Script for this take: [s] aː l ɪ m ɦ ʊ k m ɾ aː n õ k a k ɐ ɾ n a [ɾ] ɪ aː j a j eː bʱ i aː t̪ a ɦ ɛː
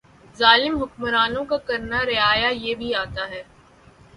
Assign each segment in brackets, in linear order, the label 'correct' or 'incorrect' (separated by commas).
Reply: incorrect, correct